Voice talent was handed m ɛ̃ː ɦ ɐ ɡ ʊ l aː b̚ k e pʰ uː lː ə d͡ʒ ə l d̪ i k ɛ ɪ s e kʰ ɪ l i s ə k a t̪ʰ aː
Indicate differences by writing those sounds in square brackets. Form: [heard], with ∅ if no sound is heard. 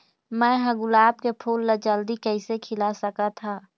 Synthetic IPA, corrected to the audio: m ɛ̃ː ɦ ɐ ɡ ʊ l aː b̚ k e pʰ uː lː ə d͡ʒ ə l d̪ i k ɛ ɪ s e kʰ ɪ l [a] s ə k a t̪ʰ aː